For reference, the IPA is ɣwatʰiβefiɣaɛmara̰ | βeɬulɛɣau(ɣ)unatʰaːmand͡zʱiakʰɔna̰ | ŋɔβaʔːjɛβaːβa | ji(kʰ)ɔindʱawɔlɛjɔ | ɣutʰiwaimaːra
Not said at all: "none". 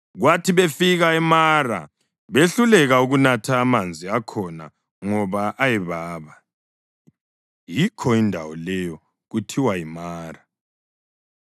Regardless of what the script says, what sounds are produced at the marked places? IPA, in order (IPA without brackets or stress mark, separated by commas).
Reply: ɣ, kʰ